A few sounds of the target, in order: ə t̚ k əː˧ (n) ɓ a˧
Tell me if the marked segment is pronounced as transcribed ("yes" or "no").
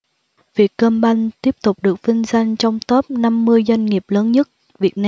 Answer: no